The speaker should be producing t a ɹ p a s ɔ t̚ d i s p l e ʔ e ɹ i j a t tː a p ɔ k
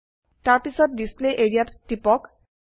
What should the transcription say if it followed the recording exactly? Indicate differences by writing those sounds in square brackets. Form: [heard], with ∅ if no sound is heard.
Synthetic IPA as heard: t a ɹ p [i] s ɔ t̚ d i s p l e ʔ e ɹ i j a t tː [i] p ɔ k